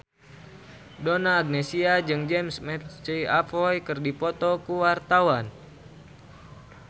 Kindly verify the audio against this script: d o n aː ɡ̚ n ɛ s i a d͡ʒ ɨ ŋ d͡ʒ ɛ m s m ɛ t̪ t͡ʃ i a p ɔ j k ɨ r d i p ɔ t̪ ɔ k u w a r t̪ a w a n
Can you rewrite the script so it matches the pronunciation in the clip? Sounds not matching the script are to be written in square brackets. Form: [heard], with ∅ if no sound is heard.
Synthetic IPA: d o n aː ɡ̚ n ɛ s i a d͡ʒ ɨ ŋ d͡ʒ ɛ m s m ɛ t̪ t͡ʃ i a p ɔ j k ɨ r d i p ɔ t̪ ɔ k u w a r t̪ a w a n